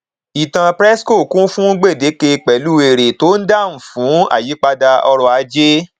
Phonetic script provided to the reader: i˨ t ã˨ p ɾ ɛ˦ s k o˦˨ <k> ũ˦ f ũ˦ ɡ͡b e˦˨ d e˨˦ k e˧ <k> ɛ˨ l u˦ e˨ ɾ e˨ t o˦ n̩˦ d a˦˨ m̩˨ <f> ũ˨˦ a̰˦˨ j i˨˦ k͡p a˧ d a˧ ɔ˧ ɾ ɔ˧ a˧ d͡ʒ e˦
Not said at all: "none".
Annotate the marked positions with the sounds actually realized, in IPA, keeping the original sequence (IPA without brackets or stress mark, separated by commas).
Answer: k, k͡p, f